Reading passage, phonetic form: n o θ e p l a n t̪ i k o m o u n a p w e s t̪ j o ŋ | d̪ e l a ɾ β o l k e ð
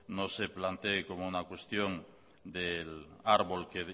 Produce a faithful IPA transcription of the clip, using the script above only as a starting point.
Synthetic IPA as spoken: n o s e p l a n t̪ e k o m o u n a k w e s t̪ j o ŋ | d̪ e l a ɾ β o l k e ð

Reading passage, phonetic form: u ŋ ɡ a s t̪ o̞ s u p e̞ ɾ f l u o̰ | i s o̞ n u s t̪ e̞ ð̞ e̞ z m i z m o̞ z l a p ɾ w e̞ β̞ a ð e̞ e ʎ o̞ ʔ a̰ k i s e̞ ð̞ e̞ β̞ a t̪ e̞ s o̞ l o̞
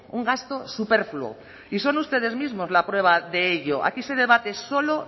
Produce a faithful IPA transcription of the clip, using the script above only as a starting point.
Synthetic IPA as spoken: u ŋ ɡ a s t̪ o̞ s u p e̞ ɾ f l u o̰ | i s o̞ n u s t̪ e̞ ð̞ e̞ z m i z m o̞ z l a p ɾ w e̞ β̞ a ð e̞ e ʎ o̞ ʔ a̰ k i s e̞ ð̞ e̞ β̞ a t̪ e̞ s o̞ l o̞

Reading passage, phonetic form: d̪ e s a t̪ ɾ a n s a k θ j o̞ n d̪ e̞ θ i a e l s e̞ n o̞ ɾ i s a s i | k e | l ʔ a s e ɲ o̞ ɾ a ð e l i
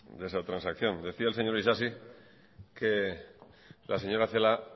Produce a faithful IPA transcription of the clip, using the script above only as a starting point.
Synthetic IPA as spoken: d̪ e s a t̪ ɾ a n s a k θ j o̞ n d̪ e̞ θ i a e l s e̞ ɲ o̞ ɾ i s a s i | k e | l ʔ a s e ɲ o̞ ɾ a θ e l a

